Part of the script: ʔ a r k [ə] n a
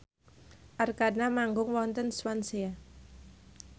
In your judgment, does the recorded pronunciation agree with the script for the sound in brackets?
no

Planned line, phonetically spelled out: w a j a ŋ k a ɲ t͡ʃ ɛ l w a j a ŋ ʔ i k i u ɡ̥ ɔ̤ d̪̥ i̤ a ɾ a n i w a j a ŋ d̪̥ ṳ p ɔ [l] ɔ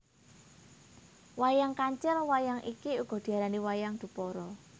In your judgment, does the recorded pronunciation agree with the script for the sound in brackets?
no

